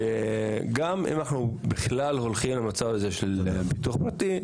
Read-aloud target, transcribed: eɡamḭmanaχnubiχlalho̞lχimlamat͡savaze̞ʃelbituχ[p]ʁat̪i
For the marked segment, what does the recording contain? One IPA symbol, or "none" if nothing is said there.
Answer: p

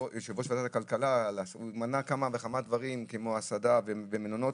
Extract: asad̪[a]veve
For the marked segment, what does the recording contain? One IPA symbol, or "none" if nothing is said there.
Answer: a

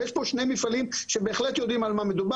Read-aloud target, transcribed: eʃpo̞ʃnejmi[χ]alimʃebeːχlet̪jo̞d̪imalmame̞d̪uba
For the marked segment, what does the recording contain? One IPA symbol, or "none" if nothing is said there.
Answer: f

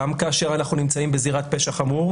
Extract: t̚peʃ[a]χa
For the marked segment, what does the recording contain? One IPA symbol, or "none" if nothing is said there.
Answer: a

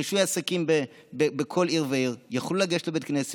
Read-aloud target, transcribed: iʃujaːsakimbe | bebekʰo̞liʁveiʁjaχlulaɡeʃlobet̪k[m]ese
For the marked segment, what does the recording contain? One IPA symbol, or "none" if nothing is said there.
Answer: n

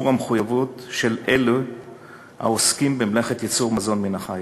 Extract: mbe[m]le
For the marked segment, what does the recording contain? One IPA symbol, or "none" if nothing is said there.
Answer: m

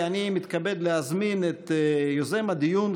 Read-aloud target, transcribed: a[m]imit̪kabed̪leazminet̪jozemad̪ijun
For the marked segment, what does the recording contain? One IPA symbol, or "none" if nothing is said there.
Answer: n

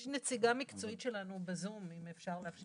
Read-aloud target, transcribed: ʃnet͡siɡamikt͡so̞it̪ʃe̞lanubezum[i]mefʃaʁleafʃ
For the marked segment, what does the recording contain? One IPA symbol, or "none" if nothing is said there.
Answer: i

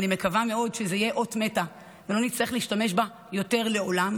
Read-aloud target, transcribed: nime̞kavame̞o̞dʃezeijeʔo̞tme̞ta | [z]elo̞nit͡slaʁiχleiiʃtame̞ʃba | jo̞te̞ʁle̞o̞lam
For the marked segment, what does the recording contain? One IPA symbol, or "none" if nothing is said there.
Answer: v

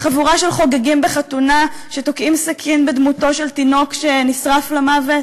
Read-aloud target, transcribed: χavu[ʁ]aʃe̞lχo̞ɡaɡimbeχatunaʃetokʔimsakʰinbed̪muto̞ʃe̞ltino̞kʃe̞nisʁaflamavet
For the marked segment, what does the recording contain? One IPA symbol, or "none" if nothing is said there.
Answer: ʁ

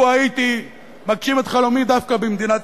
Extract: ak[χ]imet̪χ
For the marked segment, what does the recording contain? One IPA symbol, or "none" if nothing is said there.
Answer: ʃ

